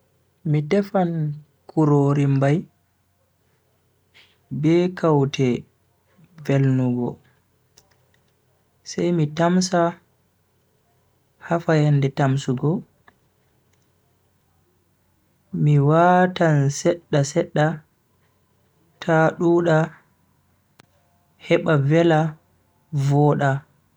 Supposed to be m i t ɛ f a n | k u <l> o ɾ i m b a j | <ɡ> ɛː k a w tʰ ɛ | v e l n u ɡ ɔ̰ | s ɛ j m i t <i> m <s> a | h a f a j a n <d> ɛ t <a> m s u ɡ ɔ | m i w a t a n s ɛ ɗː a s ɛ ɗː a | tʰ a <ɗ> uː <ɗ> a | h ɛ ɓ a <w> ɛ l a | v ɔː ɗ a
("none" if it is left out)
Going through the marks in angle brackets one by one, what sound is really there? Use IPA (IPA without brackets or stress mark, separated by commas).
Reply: ɾ, b, a, s, d, a, ɗ, ɗ, v